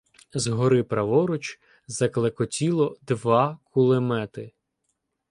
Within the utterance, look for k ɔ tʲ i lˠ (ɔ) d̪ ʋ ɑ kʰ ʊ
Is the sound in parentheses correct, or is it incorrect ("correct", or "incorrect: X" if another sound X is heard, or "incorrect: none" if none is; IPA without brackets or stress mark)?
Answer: correct